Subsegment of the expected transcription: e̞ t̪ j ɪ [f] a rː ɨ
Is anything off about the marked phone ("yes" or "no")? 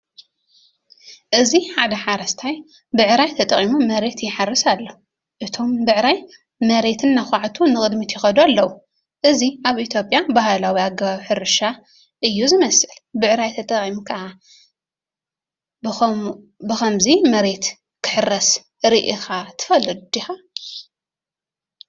yes